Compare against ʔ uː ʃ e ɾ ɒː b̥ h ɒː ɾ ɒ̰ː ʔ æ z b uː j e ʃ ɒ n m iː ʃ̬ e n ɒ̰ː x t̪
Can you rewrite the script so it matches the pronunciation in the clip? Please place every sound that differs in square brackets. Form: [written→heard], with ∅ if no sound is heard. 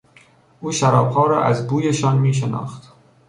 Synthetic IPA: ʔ uː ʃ [e→æ] ɾ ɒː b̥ h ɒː ɾ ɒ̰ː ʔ æ z b uː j e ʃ ɒ n m iː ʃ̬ e n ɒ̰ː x t̪